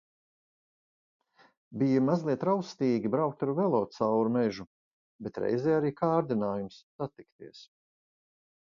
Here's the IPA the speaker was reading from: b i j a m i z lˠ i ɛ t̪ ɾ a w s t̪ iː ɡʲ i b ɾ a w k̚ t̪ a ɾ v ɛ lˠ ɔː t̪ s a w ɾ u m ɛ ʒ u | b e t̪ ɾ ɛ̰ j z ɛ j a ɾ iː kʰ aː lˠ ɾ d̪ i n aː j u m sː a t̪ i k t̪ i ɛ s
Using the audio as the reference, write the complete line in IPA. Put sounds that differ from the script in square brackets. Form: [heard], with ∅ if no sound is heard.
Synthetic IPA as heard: b i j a m [a] z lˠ i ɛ t̪ ɾ a w s t̪ iː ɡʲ i b ɾ a w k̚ t̪ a ɾ v ɛ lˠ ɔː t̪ s a w ɾ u m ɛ ʒ u | b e t̪ ɾ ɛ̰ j z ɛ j a ɾ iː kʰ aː [∅] ɾ d̪ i n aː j u m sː a t̪ i k t̪ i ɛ s